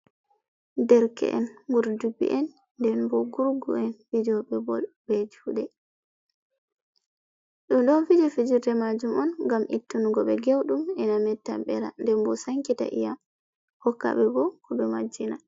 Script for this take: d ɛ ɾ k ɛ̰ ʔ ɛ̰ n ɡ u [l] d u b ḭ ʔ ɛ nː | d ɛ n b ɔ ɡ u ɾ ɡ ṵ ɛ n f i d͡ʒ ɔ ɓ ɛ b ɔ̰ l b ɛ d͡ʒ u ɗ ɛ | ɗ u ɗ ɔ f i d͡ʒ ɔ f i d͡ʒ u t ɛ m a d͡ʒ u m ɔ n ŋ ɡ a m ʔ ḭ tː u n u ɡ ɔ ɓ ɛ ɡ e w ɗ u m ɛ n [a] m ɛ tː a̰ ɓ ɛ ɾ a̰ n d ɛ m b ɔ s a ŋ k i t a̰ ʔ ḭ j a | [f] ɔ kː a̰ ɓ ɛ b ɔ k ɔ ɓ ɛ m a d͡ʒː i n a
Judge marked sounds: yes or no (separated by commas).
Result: no, yes, no